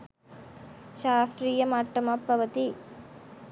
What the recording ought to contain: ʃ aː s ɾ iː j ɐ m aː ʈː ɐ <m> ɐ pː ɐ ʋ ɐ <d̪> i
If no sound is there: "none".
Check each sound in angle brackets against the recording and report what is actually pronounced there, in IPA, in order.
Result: m, t̪

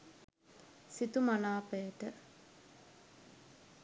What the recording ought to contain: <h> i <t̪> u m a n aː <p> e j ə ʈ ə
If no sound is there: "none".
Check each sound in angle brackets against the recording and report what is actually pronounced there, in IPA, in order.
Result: s, t̪, p

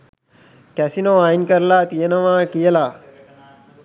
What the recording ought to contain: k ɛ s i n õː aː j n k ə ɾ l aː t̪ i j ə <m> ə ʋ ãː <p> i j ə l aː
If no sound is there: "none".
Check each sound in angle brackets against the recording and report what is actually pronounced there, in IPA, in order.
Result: n, k

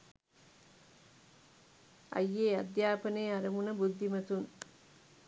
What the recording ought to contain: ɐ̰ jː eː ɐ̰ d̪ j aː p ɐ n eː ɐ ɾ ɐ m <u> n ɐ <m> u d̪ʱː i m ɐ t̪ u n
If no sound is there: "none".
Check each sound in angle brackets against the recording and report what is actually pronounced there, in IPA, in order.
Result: u, b

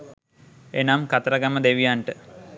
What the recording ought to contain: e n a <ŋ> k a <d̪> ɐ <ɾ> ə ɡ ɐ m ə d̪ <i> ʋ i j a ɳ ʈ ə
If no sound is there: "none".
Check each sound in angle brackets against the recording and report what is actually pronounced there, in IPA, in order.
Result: m, t̪, ɾ, e

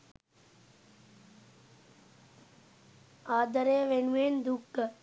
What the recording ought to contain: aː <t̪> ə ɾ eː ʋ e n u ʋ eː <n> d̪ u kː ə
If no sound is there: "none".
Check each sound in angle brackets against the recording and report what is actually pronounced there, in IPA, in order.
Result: d̪, n

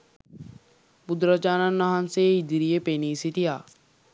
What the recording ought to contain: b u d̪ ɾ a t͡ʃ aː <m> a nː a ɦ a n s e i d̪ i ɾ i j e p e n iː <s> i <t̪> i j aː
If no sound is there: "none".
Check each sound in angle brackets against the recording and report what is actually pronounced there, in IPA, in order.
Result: n, s, t̪

